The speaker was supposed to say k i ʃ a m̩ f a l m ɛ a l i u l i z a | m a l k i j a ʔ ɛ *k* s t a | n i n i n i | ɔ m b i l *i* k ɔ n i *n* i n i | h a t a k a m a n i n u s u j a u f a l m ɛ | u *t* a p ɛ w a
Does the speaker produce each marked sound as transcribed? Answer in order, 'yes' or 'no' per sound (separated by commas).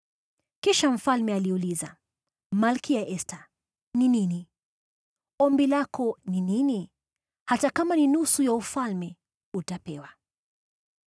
no, no, yes, yes